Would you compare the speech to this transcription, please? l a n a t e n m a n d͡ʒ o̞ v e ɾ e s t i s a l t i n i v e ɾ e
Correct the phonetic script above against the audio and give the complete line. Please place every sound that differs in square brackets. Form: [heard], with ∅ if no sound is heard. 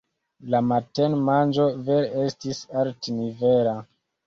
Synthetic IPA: l a [m] a t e n m a n d͡ʒ o̞ v e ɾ e s t i s a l t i n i v e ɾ [a]

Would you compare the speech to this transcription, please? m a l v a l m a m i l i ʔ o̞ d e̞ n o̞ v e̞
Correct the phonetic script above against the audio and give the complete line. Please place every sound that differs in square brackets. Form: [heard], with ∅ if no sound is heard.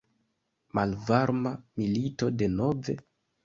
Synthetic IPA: m a l v a [ɾ] m a m i l i [t] o̞ d e̞ n o̞ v e̞

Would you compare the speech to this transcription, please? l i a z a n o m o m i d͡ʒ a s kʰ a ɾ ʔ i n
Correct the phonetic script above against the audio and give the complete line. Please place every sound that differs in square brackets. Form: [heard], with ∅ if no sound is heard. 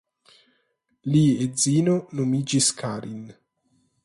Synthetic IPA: l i [e] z [i] n o [n] o m i d͡ʒ [i] s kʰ a ɾ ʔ i n

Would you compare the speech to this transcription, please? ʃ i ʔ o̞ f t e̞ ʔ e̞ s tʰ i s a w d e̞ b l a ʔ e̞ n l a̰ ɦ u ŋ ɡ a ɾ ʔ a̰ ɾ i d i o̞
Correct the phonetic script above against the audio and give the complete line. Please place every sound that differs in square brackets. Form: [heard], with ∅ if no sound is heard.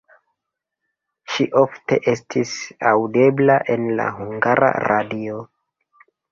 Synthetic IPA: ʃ i ʔ o̞ f t e̞ ʔ e̞ s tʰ i s a w d e̞ b l a ʔ e̞ n l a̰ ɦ u ŋ ɡ a ɾ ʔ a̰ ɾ [a] d i o̞

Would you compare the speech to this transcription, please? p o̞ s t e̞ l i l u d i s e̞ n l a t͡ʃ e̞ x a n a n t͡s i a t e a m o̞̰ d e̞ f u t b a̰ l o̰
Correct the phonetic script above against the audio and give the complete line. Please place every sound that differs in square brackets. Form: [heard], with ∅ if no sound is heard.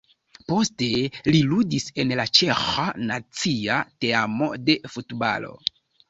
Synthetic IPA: p o̞ s t e̞ l i l u d i s e̞ n l a t͡ʃ e̞ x a n a [∅] t͡s i a t e a m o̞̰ d e̞ f u t b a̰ l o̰

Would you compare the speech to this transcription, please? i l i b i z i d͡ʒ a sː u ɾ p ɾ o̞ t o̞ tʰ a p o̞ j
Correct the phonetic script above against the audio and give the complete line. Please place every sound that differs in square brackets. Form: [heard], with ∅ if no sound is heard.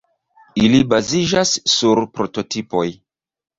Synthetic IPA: i l i b [a] z i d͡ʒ a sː u ɾ p ɾ o̞ t o̞ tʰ [i] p o̞ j

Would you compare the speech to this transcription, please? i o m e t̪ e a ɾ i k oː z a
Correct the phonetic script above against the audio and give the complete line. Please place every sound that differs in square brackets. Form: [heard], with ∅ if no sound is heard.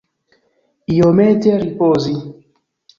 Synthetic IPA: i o m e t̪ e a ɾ i [p] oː z [i]

